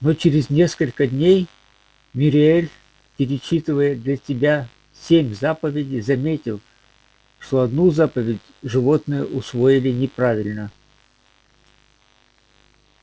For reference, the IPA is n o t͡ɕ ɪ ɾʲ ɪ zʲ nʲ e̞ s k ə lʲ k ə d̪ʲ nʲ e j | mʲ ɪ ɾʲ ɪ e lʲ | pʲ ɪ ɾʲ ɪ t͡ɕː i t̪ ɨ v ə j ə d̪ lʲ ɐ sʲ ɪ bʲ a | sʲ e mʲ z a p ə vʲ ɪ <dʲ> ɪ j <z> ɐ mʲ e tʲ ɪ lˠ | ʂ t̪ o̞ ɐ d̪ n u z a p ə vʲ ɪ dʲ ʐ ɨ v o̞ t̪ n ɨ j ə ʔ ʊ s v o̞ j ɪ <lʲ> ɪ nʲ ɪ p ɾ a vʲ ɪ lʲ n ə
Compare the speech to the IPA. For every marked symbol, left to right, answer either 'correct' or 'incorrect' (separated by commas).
correct, correct, correct